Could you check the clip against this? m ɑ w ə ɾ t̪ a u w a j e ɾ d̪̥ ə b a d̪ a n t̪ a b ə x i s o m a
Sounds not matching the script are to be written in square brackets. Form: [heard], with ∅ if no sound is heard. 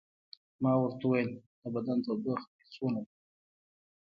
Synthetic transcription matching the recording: m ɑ w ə ɾ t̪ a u w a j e [l] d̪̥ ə b a d̪ a n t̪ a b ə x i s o [n] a